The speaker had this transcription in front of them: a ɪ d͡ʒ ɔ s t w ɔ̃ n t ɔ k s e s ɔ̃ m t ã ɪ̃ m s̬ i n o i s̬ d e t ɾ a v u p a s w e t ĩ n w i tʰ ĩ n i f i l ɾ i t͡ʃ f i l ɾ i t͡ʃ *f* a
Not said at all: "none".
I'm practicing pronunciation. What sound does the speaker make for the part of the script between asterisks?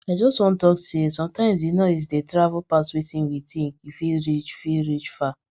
f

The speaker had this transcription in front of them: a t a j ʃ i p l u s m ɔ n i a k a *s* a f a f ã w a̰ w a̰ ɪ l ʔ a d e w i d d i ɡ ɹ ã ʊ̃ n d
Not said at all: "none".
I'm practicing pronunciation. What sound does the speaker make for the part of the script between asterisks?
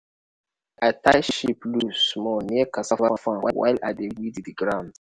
s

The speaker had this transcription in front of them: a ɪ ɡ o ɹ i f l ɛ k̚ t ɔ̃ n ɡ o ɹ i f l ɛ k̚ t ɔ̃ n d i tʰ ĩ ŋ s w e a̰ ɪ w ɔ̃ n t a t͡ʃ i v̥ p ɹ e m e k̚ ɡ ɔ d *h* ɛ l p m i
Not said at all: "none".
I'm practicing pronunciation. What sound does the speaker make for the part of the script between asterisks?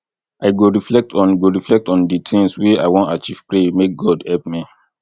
h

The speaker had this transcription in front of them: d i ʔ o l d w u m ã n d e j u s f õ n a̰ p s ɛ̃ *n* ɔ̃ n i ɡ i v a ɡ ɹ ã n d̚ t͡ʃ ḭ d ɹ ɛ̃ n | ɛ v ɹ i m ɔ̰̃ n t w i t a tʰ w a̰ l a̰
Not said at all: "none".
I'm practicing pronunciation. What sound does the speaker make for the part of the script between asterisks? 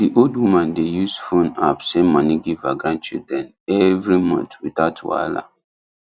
m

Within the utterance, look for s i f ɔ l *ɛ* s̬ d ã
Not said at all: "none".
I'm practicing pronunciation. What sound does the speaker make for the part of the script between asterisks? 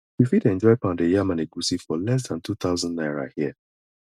ɛ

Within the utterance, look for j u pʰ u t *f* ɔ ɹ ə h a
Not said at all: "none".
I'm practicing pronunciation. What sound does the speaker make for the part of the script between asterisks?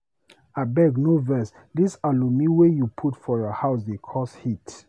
f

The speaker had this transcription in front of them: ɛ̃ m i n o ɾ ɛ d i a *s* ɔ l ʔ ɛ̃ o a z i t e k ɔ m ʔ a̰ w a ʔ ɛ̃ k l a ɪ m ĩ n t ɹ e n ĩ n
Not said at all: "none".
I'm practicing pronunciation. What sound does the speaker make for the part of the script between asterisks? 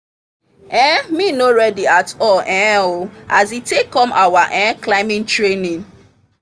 t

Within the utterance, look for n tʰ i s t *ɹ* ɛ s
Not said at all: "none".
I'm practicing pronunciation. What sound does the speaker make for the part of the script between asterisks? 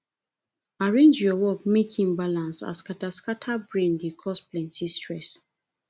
ɹ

